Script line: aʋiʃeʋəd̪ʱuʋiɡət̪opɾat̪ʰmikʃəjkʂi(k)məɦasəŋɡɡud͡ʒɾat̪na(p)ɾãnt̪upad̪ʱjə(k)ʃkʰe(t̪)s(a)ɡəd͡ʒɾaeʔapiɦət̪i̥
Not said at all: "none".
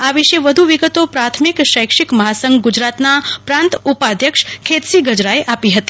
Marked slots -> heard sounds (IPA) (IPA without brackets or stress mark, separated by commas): k, p, k, t̪, i